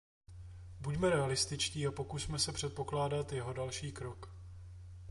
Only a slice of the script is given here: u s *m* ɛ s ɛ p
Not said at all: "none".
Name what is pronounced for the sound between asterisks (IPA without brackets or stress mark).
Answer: m